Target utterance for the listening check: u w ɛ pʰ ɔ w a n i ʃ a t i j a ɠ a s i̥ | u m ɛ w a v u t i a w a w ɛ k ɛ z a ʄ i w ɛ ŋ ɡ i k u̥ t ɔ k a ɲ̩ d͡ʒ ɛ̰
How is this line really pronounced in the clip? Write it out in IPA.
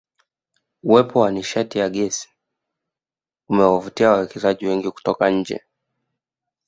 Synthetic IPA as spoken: u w ɛ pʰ ɔ w a n i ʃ a t i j a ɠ ɛ s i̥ | u m ɛ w a v u t i a w a w ɛ k ɛ z a ʄ i w ɛ ŋ ɡ i k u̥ t ɔ k a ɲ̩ d͡ʒ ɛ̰